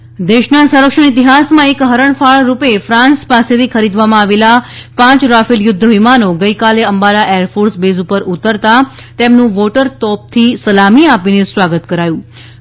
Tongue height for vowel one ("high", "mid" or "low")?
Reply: mid